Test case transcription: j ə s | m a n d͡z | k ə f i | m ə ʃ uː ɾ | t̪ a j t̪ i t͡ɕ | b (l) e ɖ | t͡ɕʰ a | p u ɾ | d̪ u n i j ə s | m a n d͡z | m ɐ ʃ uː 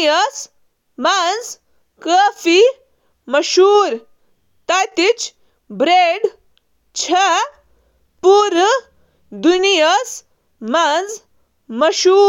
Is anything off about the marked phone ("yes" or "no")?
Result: yes